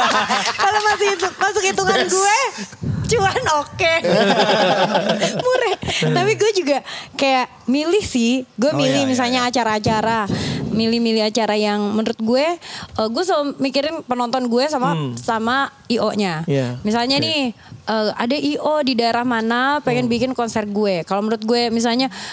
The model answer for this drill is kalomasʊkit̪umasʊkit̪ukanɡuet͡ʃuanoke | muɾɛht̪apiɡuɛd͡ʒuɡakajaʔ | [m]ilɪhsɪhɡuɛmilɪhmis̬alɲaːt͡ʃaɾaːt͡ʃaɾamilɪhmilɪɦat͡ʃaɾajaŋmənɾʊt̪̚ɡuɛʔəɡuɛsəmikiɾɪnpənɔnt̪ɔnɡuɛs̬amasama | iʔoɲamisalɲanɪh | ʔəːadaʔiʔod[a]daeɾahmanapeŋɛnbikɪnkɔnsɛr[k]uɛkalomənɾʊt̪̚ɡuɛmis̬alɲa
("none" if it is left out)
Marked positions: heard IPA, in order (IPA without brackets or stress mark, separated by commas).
m, i, ɡ